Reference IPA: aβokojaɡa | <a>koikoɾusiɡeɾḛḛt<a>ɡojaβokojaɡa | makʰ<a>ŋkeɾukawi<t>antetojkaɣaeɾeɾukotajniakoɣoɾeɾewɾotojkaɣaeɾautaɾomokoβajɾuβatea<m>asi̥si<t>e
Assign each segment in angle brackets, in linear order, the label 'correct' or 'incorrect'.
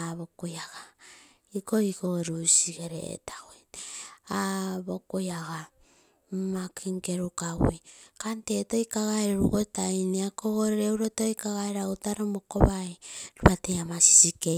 incorrect, correct, incorrect, incorrect, correct, incorrect

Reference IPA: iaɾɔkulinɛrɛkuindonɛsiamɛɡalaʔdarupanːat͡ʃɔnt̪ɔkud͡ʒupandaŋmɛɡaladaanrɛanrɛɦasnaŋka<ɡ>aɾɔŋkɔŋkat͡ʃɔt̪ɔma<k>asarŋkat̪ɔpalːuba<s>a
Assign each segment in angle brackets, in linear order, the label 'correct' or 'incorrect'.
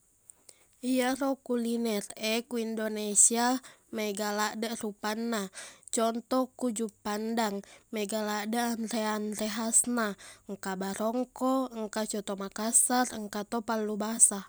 incorrect, correct, correct

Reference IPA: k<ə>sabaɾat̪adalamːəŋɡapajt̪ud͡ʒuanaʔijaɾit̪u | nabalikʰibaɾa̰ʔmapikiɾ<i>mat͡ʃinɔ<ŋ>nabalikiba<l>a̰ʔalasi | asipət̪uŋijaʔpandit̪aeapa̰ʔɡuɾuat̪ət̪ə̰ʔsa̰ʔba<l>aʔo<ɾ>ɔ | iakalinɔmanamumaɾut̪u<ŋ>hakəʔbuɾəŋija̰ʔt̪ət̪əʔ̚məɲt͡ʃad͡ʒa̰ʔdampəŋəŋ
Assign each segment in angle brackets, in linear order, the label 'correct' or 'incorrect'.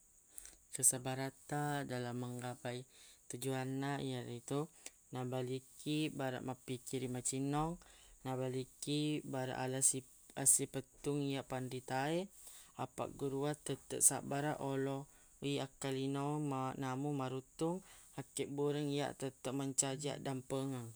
correct, correct, correct, incorrect, incorrect, incorrect, correct

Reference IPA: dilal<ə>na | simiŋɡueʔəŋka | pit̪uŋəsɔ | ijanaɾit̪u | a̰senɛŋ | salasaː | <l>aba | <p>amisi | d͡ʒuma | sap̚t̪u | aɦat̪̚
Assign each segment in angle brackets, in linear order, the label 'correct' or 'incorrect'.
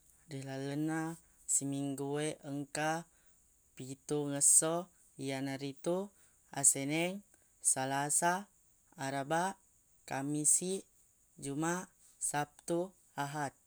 correct, incorrect, incorrect

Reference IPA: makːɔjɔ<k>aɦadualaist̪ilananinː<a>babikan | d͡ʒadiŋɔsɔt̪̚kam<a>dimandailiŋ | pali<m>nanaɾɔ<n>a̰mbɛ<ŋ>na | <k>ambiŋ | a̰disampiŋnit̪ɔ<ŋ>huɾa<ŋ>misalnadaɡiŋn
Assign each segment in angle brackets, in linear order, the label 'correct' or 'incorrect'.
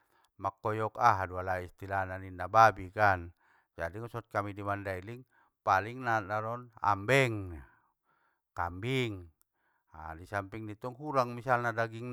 correct, correct, incorrect, incorrect, correct, correct, correct, correct, correct

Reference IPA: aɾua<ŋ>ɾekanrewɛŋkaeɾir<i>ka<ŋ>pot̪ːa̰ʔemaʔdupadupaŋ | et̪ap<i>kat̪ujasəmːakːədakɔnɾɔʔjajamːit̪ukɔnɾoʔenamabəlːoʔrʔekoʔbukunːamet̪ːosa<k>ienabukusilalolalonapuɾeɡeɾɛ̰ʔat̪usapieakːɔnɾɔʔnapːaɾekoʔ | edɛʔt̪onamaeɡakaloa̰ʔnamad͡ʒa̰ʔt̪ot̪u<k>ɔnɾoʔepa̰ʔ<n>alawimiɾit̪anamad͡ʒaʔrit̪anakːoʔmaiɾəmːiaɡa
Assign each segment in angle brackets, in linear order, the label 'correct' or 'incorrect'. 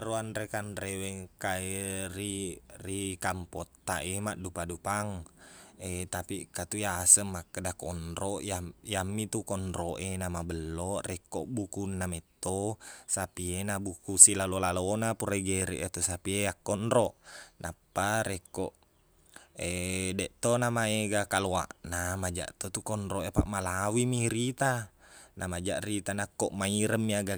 incorrect, correct, incorrect, correct, incorrect, correct, incorrect

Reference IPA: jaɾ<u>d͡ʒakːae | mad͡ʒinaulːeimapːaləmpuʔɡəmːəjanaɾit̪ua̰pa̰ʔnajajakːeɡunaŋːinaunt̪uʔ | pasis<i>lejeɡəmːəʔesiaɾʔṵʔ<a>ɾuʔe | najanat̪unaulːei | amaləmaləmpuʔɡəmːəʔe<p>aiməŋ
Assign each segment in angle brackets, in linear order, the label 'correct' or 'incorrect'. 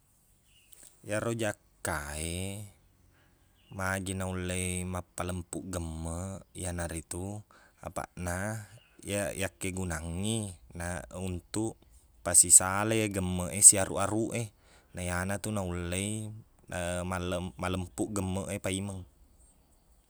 incorrect, incorrect, correct, correct

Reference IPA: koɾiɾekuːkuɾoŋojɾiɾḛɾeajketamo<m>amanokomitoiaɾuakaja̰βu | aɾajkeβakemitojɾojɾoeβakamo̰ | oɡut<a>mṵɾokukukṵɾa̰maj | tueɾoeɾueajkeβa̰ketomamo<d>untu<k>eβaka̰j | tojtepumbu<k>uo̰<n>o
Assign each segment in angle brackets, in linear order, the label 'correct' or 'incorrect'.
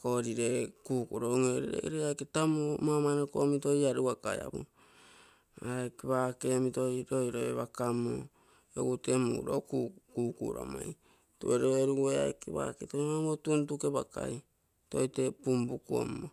correct, incorrect, incorrect, correct, correct, incorrect

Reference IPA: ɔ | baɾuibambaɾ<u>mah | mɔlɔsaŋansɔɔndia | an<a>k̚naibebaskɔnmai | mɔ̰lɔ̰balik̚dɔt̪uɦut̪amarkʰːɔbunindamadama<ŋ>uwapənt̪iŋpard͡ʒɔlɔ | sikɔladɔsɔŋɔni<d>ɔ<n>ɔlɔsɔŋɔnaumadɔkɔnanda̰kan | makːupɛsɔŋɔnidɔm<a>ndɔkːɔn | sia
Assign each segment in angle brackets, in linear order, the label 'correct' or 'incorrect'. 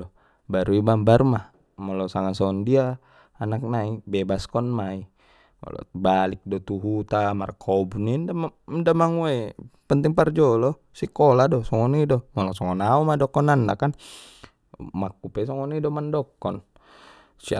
correct, correct, correct, correct, incorrect, correct

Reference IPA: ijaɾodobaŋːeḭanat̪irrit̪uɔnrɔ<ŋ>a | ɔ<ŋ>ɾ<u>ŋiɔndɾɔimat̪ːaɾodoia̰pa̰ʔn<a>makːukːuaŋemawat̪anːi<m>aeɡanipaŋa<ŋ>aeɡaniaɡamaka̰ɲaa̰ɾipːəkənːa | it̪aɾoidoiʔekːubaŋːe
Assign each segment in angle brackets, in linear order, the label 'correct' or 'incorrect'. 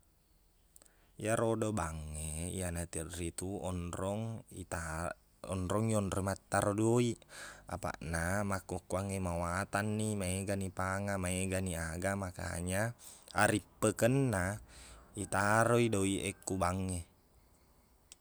correct, incorrect, incorrect, correct, correct, incorrect

